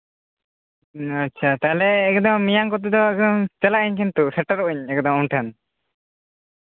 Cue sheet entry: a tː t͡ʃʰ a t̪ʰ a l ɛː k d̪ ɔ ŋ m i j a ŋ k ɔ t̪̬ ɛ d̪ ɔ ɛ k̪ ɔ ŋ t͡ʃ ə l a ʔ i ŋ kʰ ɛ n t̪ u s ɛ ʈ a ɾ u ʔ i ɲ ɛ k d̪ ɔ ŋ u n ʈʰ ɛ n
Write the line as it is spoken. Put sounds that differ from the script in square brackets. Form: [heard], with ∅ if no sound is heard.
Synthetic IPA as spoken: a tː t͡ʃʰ a [t̪] a l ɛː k d̪ ɔ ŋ m i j a ŋ k ɔ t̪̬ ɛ d̪ ɔ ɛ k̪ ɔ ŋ t͡ʃ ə l a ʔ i [ɲ] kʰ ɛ n t̪ u s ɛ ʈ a ɾ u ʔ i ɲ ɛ k d̪ ɔ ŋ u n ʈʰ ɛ n